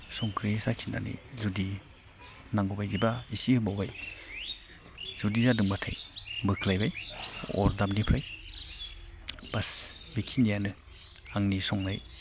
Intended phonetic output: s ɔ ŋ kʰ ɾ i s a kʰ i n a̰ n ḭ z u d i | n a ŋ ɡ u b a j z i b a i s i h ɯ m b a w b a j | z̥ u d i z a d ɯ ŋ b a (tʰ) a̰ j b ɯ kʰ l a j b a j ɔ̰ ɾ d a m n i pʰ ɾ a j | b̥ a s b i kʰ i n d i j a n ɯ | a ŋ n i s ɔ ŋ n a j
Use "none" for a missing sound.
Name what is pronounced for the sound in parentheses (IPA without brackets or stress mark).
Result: tʰ